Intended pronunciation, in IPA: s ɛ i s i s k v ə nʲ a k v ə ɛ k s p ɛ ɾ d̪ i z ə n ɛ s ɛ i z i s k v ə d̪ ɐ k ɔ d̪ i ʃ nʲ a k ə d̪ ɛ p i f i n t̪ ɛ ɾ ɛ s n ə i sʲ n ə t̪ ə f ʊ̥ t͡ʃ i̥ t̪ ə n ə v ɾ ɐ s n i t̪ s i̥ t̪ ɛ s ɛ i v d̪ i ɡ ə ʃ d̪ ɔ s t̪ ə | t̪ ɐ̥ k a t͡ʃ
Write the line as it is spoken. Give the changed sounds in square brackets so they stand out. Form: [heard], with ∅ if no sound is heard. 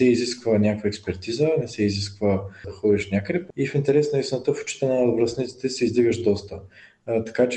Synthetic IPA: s ɛ i [z] i s k v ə nʲ a k v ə ɛ k s p ɛ ɾ [t̪] i z ə n ɛ s ɛ i z i s k v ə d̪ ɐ [x] ɔ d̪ i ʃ nʲ a k ə d̪ ɛ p i f i n t̪ ɛ ɾ ɛ s n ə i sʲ n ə t̪ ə f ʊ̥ t͡ʃ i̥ t̪ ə n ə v ɾ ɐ s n i t̪ s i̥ t̪ ɛ s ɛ i [z] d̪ i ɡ ə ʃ d̪ ɔ s t̪ ə | t̪ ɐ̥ k a t͡ʃ